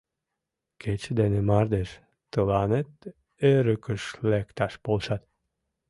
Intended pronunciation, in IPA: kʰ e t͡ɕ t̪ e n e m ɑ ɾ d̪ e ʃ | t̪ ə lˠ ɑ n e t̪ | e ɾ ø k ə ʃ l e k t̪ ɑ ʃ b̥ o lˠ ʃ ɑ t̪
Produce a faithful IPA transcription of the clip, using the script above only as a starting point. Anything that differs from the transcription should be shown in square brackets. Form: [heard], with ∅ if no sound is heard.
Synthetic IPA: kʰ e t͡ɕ [d̪] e n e m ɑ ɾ d̪ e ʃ | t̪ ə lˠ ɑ n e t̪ | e ɾ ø k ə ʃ l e k t̪ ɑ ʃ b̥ o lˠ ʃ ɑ t̪